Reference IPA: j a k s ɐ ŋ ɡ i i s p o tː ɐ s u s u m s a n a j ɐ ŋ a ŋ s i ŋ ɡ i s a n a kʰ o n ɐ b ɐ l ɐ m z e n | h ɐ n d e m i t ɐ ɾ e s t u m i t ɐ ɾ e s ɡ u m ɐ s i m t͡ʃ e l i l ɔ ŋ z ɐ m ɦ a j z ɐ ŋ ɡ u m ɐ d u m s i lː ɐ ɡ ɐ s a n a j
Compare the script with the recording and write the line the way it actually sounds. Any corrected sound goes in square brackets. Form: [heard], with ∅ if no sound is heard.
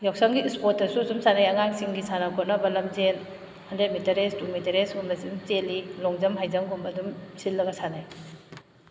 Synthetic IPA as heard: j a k s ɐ ŋ ɡ i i s p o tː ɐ s u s u m s a n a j ɐ ŋ a ŋ s i ŋ ɡ i s a n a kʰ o n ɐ b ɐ l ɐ m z e n | h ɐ n d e m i t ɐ ɾ e s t u m i t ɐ ɾ e s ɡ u m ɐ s i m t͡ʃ e l i l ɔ ŋ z ɐ m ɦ a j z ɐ ŋ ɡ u m ɐ d u m s i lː ɐ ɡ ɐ s a n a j

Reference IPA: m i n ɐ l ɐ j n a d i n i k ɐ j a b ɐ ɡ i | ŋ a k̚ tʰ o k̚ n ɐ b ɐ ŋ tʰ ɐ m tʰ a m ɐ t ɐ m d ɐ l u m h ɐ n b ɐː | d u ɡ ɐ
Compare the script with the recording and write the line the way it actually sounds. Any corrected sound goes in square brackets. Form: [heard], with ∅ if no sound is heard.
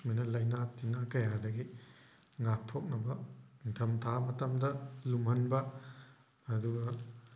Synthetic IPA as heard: m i n ɐ l ɐ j n a [t] i n [a] k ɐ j a [d] ɐ ɡ i | ŋ a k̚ tʰ o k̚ n ɐ b ɐ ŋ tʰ ɐ m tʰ a m ɐ t ɐ m d ɐ l u m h ɐ n b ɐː | d u ɡ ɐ

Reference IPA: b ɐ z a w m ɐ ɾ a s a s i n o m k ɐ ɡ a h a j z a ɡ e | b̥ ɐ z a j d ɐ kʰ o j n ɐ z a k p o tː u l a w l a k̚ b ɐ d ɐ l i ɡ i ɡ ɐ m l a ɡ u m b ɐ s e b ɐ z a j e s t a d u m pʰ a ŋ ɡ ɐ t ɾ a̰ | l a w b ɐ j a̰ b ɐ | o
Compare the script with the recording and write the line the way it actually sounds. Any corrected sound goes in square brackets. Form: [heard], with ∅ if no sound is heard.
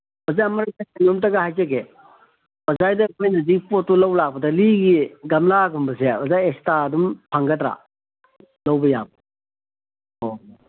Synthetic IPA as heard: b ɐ z a [∅] m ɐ ɾ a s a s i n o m [t] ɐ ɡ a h a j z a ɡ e | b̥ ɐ z a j d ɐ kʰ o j n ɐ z [i] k p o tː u l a w l a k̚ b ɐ d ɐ l i ɡ i ɡ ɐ m l a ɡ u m b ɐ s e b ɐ z a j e s t a d u m pʰ a ŋ ɡ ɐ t ɾ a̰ | l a w b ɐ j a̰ b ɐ | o

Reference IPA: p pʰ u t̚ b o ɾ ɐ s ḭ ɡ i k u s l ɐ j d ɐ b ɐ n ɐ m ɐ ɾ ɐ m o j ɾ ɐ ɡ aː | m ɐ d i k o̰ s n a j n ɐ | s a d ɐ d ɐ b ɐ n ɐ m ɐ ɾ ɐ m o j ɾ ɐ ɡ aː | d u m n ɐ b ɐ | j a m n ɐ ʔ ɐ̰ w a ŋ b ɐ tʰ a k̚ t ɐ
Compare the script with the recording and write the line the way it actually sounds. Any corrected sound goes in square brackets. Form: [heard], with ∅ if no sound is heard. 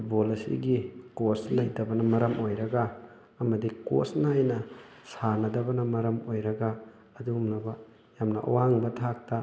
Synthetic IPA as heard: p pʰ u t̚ b o [l] ɐ s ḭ ɡ i k [o] s l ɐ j d ɐ b ɐ n ɐ m ɐ ɾ ɐ m o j ɾ ɐ ɡ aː | m ɐ d i k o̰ s n a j n ɐ | s a [n] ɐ d ɐ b ɐ n ɐ m ɐ ɾ ɐ m o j ɾ ɐ ɡ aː | d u m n ɐ b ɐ | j a m n ɐ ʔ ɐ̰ w a ŋ b ɐ tʰ a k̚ t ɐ

